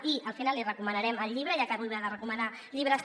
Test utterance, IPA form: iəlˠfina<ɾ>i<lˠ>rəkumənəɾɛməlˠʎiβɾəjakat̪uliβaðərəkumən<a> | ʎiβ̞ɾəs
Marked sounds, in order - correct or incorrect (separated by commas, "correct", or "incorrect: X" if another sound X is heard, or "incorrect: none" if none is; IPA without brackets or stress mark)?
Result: incorrect: l, incorrect: none, correct